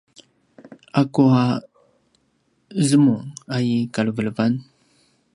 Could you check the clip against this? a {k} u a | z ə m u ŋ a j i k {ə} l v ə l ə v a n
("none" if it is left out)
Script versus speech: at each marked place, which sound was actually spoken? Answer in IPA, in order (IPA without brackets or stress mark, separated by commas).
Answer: k, a